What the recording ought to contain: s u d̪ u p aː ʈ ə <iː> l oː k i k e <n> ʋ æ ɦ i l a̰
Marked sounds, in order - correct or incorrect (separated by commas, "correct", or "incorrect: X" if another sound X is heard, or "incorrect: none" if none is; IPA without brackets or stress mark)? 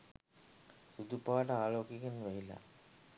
incorrect: aː, correct